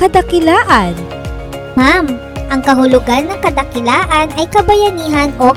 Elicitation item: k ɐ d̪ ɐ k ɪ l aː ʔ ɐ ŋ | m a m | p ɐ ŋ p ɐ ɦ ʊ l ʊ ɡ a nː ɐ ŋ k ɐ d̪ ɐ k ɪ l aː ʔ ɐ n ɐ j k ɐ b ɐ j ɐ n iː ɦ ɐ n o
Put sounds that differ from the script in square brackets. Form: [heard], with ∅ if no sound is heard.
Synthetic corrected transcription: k ɐ d̪ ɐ k ɪ l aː ʔ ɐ [n] | m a m | [ʔ] ɐ ŋ [k] ɐ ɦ ʊ l ʊ ɡ a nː ɐ ŋ k ɐ d̪ ɐ k ɪ l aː ʔ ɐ n ɐ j k ɐ b ɐ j ɐ n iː ɦ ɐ n o